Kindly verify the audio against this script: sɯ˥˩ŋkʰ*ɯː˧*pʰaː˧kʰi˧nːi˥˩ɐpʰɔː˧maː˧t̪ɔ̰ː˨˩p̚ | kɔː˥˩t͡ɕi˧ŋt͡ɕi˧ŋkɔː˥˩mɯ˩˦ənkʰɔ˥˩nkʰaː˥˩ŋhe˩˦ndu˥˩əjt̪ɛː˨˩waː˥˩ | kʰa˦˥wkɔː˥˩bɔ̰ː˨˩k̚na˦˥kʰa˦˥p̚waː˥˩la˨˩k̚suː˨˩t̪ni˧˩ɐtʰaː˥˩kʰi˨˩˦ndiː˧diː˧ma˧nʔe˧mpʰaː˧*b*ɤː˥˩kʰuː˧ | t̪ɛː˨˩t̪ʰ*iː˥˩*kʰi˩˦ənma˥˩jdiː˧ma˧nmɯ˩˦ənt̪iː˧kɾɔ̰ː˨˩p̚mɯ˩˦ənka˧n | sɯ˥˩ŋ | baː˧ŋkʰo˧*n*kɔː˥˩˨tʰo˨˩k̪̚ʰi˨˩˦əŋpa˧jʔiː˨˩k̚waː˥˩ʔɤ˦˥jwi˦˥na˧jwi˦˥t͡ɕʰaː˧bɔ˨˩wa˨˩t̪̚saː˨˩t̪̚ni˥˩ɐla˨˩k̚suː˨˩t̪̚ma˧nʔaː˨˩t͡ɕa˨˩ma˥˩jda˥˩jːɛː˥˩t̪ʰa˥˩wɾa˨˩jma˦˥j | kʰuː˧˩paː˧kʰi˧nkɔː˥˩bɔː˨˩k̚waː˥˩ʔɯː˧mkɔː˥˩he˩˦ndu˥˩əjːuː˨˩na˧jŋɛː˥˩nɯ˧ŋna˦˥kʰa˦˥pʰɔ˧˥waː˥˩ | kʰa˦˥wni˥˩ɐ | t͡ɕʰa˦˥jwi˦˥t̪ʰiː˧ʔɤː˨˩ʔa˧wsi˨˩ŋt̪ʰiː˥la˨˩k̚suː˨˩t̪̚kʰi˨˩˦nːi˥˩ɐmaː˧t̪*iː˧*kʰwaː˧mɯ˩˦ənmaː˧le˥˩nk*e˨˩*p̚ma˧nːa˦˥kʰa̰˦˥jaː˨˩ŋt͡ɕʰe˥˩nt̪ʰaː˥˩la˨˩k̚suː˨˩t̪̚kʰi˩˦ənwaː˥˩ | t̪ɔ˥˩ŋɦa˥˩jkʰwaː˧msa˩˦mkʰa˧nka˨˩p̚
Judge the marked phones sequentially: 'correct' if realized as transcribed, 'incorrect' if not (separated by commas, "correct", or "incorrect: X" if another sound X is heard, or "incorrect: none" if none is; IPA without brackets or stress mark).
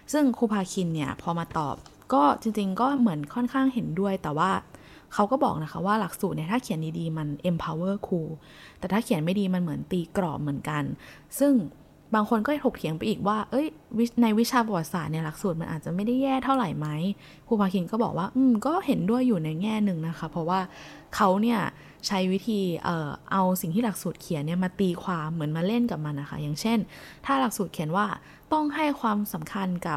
incorrect: uː˧, incorrect: w, incorrect: aː˥˩, correct, correct, incorrect: a˨˩